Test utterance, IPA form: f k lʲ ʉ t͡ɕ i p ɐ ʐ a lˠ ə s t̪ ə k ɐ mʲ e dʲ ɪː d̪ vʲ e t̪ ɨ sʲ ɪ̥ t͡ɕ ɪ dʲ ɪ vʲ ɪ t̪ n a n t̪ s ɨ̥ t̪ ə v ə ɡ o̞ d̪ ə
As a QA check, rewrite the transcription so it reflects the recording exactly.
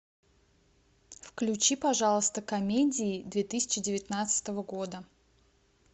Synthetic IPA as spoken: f k lʲ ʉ t͡ɕ i p ɐ ʐ a lˠ ə s t̪ ə k ɐ mʲ e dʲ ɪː d̪ vʲ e t̪ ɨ sʲ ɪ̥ t͡ɕ ɪ dʲ ɪ vʲ ɪ t̪ n a t̪ s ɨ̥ t̪ ə v ə ɡ o̞ d̪ ə